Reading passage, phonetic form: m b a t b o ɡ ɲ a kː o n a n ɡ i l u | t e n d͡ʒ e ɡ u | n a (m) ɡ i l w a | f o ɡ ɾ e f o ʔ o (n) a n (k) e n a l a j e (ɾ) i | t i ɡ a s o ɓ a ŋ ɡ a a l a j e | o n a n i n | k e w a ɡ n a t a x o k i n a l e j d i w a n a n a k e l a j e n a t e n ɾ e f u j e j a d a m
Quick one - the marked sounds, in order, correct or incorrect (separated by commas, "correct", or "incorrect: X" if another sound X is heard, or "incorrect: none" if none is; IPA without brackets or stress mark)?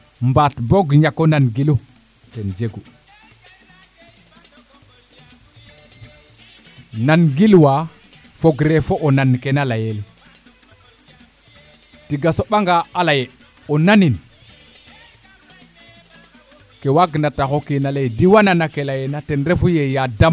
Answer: incorrect: n, correct, correct, incorrect: l